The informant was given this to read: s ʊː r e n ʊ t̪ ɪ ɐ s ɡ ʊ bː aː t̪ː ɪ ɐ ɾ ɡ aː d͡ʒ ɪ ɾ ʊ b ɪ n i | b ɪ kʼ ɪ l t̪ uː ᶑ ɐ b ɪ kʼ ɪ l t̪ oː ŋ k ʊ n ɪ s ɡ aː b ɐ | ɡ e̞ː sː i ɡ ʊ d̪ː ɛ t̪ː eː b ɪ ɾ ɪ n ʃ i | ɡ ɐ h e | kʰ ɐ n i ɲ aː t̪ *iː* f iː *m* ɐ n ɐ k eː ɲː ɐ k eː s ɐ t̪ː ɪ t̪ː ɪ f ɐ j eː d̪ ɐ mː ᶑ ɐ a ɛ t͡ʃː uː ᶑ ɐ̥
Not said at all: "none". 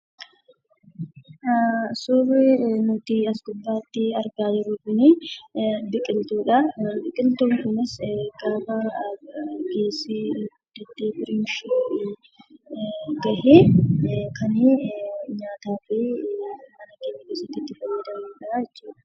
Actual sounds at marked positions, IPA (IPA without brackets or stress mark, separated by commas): aː, m